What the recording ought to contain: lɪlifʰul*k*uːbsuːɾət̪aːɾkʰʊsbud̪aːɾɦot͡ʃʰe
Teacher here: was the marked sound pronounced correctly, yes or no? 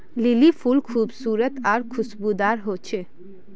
no